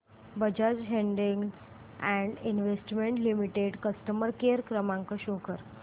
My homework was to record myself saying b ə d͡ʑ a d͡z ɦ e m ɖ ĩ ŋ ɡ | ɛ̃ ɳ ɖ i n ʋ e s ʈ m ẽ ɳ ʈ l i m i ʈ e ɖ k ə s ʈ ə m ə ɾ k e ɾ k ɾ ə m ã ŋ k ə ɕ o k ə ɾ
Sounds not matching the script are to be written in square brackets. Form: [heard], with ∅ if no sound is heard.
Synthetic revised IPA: b ə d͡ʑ a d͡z ɦ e [ɳ] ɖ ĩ ŋ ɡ | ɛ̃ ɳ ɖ i n ʋ e s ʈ m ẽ ɳ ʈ l i m i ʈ e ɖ k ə s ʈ ə m ə ɾ k e ɾ k ɾ ə m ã ŋ k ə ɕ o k ə ɾ